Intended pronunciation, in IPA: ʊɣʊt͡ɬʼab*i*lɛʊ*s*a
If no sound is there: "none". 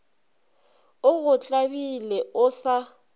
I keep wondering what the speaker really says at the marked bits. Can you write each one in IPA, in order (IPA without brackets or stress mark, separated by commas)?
i, s